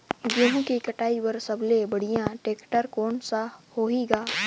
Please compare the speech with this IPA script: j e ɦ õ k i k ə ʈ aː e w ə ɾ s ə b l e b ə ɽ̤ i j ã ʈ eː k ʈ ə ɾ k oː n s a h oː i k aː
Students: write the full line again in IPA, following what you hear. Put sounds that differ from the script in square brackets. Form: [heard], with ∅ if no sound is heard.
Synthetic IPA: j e ɦ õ k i k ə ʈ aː [i] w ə ɾ s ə b l e b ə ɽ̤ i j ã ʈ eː k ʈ ə ɾ k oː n s a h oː i [ɡ] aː